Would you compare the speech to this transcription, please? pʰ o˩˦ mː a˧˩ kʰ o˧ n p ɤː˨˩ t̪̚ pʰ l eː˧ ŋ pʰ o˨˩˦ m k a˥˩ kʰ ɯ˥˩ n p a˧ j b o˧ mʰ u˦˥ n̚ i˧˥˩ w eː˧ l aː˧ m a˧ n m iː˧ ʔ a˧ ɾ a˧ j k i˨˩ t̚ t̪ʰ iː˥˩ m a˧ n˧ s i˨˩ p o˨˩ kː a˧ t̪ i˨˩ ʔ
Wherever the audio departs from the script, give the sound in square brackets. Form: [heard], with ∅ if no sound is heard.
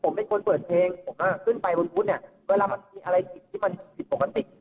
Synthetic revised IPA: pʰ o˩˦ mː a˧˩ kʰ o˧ n p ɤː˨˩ t̪̚ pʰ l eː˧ ŋ pʰ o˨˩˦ m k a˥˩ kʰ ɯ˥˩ n p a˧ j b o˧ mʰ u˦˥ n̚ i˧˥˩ w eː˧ l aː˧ m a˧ n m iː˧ ʔ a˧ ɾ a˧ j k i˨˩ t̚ t̪ʰ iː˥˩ m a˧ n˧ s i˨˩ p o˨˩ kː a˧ t̪ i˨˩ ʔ